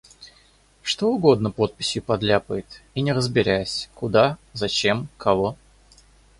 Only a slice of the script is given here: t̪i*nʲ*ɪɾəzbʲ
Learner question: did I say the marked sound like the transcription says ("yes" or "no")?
yes